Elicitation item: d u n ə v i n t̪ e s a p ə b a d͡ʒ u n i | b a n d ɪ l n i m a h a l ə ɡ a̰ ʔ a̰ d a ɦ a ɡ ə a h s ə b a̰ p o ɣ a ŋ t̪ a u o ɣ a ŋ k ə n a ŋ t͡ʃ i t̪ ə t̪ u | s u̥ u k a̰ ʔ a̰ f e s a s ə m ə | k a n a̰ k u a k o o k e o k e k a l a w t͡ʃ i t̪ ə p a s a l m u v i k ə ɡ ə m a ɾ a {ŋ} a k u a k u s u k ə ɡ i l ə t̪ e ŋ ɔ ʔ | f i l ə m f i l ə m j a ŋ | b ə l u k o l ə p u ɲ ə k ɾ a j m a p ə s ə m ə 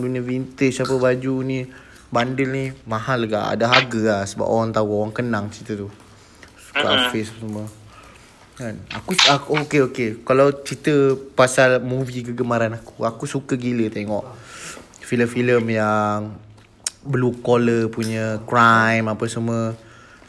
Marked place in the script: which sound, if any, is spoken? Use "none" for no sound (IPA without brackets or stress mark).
n